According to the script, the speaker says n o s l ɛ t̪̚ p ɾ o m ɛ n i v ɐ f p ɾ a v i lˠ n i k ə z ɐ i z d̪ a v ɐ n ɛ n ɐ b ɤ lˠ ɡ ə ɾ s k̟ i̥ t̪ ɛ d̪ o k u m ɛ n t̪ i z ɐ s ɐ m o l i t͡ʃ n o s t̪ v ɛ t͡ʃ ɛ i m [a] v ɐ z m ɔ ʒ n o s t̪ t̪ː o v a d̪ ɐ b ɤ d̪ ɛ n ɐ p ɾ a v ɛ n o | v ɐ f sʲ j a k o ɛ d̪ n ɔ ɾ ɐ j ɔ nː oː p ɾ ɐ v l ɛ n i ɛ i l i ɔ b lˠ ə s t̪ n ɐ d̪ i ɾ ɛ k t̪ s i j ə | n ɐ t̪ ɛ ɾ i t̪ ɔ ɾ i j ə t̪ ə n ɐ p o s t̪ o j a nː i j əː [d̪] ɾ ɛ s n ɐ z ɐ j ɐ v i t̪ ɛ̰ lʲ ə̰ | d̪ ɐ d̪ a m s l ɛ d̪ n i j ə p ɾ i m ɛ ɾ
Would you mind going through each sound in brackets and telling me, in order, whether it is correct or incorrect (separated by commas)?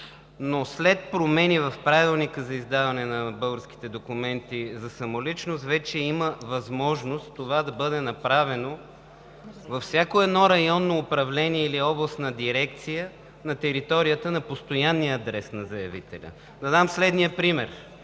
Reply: incorrect, correct